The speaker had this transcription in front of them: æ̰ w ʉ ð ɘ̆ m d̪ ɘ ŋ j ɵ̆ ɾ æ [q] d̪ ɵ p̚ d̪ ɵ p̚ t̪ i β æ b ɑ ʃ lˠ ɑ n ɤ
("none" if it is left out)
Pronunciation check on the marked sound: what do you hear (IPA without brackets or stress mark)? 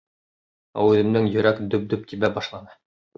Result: k